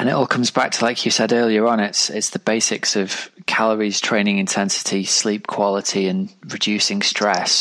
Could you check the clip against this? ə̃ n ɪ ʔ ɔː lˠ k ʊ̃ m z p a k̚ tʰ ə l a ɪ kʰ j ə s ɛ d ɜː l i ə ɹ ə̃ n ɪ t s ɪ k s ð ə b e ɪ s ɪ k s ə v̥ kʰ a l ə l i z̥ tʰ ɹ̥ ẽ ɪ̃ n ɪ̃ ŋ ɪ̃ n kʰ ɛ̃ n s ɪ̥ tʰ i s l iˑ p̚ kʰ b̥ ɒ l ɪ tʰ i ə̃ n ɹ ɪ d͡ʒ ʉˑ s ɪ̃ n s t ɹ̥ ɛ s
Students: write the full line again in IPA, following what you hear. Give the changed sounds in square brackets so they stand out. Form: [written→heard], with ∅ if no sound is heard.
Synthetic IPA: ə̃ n ɪ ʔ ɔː lˠ [k→kʰ] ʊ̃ m z [p→b] a k̚ tʰ ə l a ɪ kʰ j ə s ɛ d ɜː l i ə ɹ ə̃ n ɪ t s ɪ [k→t] s ð ə b e ɪ s ɪ k s ə v̥ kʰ a l ə [l→ɹ] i z̥ tʰ ɹ̥ ẽ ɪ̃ n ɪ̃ ŋ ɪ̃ n [kʰ→tʰ] ɛ̃ n s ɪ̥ tʰ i s l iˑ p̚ kʰ [b̥→w̥] ɒ l ɪ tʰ i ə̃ n ɹ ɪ d͡ʒ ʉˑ s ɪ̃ [n→ŋ] s t ɹ̥ ɛ s